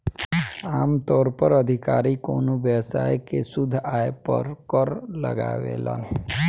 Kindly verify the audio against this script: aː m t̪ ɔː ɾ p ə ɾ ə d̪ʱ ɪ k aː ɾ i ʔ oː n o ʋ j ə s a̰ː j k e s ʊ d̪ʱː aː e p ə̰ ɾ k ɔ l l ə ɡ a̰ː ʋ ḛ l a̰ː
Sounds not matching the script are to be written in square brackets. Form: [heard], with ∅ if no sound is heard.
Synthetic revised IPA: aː m t̪ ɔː ɾ p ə ɾ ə d̪ʱ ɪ k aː ɾ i [k] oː n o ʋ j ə s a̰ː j k e s ʊ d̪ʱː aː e p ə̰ ɾ k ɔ [ɾ] l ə ɡ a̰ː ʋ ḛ l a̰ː